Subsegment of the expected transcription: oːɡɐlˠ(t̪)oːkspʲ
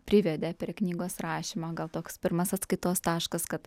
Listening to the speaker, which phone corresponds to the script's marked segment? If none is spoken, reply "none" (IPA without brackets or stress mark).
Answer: t̪